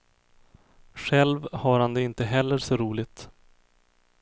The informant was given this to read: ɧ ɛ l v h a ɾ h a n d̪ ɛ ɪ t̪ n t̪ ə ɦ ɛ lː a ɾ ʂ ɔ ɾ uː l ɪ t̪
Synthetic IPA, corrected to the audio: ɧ ɛ l v h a ɾ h a n d̪ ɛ ɪ n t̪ ə ɦ ɛ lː ə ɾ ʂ ɔ ɾ uː l ɪ t̪